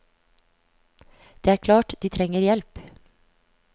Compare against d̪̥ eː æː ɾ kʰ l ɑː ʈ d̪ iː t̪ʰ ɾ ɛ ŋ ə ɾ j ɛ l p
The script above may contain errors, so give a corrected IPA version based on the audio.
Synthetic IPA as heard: d̪̥ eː æː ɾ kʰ l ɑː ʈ d̪ iː t̪ʰ ɾ ɛ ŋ ə ɾ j ɛ l p